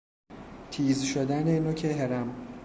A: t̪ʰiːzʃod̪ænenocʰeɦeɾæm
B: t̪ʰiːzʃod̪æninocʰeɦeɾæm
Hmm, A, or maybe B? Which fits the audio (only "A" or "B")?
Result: A